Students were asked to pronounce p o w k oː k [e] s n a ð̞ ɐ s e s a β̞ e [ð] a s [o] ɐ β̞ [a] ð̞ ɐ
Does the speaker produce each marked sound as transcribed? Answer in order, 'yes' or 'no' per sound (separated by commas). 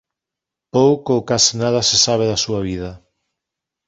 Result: no, yes, no, no